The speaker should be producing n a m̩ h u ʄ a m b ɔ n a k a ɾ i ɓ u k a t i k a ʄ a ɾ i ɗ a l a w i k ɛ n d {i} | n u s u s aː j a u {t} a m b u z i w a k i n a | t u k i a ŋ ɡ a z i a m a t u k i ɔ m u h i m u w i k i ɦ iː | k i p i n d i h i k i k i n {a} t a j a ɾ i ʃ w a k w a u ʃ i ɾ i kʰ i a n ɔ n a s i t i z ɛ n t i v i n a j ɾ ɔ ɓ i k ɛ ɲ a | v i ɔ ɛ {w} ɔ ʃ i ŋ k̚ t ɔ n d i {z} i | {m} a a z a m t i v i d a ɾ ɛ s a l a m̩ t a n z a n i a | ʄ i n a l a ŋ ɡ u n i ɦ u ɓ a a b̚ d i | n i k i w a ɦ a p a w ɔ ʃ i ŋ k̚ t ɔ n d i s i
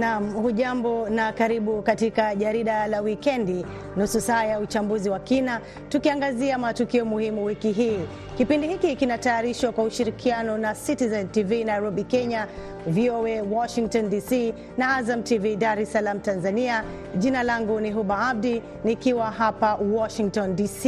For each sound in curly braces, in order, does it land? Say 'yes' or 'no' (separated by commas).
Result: yes, no, yes, yes, no, no